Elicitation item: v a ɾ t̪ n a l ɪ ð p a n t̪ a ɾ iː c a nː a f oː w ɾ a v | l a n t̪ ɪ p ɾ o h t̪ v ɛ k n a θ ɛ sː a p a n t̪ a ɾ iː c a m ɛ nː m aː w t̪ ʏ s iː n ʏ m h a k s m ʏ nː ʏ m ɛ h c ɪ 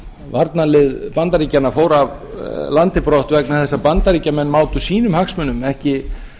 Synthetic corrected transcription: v a ɾ t̪ n a l ɪ ð p a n t̪ a ɾ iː c a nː a f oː w ɾ a v | l a n t̪ ɪ p ɾ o h t̪ v ɛ k n a θ ɛ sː a p a n t̪ a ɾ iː c a m ɛ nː m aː w t̪ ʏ s iː n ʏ m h a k s m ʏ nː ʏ m ɛ h c ɪ